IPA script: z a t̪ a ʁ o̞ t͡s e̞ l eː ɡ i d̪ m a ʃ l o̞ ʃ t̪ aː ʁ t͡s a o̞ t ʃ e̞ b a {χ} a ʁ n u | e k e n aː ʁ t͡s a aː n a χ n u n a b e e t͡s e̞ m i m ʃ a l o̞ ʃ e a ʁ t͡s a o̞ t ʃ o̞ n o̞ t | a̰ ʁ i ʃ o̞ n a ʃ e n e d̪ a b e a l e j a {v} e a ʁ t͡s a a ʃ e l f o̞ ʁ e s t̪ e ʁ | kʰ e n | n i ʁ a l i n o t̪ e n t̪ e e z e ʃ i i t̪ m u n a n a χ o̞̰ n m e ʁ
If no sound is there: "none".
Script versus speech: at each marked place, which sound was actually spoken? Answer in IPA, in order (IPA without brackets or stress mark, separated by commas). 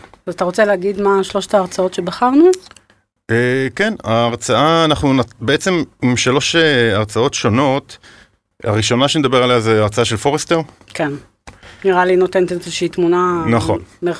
χ, z